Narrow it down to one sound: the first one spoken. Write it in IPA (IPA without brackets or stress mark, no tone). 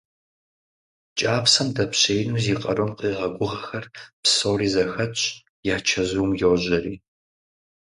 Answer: t͡ʃʼ